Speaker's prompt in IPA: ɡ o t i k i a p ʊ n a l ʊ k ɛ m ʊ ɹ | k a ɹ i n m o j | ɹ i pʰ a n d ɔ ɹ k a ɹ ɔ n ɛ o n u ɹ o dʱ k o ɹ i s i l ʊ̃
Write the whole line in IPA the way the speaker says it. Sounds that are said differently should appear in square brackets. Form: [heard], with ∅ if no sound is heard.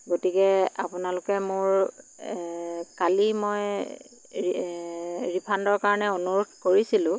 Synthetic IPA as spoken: ɡ o t i k [ɛ] a p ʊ n a l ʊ k ɛ m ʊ ɹ | k a [l] i [∅] m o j | ɹ i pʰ a n d ɔ ɹ k a ɹ ɔ n ɛ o n u ɹ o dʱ k o ɹ i s i l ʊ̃